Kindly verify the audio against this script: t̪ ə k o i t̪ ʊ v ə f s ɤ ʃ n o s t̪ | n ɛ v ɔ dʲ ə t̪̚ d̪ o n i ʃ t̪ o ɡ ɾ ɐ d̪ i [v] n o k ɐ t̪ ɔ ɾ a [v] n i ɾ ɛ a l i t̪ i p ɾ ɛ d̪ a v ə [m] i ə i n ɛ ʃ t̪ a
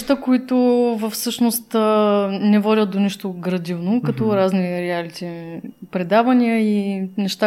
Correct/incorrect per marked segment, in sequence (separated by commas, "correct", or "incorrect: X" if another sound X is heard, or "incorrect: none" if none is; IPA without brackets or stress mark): correct, incorrect: z, incorrect: n